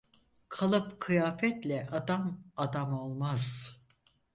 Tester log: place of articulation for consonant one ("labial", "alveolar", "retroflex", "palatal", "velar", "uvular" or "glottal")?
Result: velar